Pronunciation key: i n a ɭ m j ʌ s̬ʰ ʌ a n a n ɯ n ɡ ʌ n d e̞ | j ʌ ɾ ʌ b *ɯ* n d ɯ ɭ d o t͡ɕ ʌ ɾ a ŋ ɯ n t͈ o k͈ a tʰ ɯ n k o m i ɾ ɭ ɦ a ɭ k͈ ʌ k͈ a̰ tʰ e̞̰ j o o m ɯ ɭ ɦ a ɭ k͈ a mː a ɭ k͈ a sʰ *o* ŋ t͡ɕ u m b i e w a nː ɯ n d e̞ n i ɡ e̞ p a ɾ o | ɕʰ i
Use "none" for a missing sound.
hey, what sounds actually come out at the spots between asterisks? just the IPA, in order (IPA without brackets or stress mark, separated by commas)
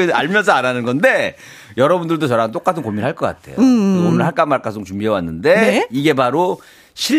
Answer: u, o